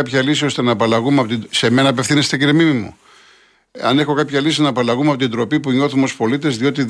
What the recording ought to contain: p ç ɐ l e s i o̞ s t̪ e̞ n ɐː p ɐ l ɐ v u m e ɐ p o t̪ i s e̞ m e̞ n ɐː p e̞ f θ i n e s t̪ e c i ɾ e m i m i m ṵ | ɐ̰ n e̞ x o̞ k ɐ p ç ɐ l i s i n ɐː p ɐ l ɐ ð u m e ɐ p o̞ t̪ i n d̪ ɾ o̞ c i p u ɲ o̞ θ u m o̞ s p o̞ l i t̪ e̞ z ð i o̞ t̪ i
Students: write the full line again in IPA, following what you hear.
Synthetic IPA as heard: p ç ɐ l i s i o̞ s t̪ e̞ n ɐː p ɐ l ɐ ɣ u m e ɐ p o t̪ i s e̞ m e̞ n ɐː p e̞ f θ i n e s t̪ e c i ɾ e m i m i m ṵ | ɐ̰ n e̞ x o̞ k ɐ p ç ɐ l i s i n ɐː p ɐ l ɐ ɣ u m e ɐ p o̞ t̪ i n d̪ ɾ o̞ p i p u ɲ o̞ θ u m o̞ s p o̞ l i t̪ e̞ z ð i o̞ t̪ i